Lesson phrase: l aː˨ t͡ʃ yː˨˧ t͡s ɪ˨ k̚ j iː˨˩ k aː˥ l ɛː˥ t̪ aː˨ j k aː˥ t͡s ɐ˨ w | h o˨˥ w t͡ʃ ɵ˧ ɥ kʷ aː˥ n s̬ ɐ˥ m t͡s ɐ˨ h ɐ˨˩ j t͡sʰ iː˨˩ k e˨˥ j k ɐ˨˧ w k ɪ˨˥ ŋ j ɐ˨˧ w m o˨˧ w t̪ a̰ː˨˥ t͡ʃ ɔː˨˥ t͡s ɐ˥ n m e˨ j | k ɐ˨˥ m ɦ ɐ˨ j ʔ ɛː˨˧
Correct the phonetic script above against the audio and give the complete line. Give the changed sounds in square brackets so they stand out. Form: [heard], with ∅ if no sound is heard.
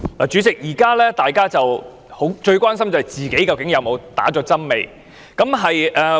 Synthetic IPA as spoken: l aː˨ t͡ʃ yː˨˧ t͡s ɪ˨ k̚ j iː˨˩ k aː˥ l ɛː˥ t̪ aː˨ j k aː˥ t͡s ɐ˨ w | h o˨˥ w t͡ʃ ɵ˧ ɥ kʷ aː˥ n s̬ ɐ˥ m t͡s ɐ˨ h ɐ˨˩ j [t͡s] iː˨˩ k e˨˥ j k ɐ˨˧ w k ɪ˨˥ ŋ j ɐ˨˧ w m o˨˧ w t̪ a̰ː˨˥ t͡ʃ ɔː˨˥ t͡s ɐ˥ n m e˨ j | k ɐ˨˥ m ɦ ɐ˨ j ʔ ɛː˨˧

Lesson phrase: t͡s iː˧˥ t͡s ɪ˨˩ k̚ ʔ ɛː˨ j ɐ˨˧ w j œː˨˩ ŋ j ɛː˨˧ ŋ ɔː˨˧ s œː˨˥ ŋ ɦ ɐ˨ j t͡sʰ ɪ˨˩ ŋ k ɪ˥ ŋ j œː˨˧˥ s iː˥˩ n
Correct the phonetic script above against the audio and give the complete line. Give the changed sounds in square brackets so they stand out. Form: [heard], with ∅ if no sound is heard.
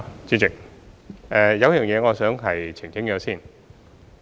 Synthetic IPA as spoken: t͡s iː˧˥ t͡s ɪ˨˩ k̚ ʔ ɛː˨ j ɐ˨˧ w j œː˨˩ ŋ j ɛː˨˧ ŋ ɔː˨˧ s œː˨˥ ŋ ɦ ɐ˨ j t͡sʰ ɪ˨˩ ŋ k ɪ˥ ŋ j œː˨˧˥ s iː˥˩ n

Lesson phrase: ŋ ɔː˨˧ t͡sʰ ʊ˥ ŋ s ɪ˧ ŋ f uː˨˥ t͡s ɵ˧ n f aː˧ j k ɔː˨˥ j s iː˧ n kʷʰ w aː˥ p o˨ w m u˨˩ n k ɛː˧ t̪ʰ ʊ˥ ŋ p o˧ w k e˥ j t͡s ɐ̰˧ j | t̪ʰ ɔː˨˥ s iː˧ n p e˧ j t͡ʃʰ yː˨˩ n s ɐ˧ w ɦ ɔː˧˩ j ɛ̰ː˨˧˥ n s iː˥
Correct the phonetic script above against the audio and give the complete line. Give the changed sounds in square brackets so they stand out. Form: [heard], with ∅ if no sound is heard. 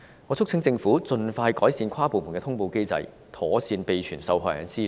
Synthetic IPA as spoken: ŋ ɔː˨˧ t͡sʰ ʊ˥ ŋ [t͡s] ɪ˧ ŋ f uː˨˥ t͡s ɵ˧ n f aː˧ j k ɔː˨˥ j s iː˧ n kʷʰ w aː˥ p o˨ w m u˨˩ n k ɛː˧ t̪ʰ ʊ˥ ŋ p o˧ w k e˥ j t͡s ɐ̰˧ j | t̪ʰ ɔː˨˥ s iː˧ n p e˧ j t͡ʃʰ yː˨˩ n s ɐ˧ w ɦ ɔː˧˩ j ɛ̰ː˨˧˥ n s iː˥

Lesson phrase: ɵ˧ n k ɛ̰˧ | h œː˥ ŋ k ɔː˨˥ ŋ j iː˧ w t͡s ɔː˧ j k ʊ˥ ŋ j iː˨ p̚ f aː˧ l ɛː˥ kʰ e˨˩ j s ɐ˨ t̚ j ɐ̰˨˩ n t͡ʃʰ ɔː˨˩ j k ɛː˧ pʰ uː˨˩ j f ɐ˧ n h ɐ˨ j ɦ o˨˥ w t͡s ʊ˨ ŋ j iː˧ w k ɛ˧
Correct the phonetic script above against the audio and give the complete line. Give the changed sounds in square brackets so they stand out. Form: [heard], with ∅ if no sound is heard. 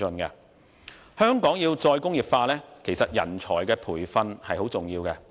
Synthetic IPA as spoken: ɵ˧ n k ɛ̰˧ | h œː˥ ŋ k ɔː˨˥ ŋ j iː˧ w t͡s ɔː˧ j k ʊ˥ ŋ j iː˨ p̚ f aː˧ l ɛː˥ kʰ e˨˩ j s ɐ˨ t̚ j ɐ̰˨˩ n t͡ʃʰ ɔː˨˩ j k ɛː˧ pʰ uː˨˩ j f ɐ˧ n h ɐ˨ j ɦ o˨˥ w t͡s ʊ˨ ŋ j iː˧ w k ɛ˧

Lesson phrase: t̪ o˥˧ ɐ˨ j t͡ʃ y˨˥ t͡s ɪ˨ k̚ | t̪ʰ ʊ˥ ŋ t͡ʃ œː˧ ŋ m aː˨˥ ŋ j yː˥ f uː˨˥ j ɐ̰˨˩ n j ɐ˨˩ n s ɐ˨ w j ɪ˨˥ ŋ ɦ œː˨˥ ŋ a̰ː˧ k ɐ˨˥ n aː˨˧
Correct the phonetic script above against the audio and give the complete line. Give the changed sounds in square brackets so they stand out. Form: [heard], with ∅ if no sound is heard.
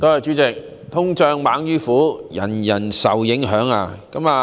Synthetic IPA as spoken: t̪ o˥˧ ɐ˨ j t͡ʃ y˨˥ t͡s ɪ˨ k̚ | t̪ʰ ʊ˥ ŋ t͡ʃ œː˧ ŋ m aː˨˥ ŋ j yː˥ f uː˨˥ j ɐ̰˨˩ n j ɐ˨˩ n s ɐ˨ w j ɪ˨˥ ŋ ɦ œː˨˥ ŋ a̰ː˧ k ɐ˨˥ [m] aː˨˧

